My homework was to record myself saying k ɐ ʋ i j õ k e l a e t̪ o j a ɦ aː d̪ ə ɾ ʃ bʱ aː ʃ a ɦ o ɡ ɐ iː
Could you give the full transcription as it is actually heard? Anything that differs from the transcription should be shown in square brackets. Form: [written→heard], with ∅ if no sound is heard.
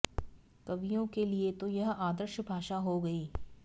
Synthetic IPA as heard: k ɐ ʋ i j õ k e l [a→i] e t̪ o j [a→ɐ] ɦ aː d̪ ə ɾ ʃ bʱ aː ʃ a ɦ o ɡ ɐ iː